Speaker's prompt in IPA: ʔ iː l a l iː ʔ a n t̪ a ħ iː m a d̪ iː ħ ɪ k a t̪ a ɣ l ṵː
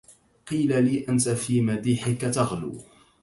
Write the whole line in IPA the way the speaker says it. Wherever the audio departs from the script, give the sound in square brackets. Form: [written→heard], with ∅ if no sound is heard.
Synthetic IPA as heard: [ʔ→q] iː l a l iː ʔ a n t̪ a [ħ→f] iː m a d̪ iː ħ ɪ k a t̪ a ɣ l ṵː